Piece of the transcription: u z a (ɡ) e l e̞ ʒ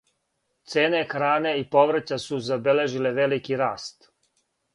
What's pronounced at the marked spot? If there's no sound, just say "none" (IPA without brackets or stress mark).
b